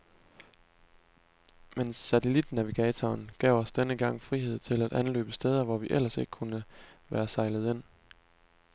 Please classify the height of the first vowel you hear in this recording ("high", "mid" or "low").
mid